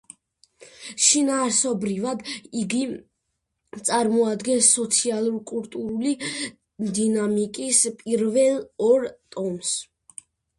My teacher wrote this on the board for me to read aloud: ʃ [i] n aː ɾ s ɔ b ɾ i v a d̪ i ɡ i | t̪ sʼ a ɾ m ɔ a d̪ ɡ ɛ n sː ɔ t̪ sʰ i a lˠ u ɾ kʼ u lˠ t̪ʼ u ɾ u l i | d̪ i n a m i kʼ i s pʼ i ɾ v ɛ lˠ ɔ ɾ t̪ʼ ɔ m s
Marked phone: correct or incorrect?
correct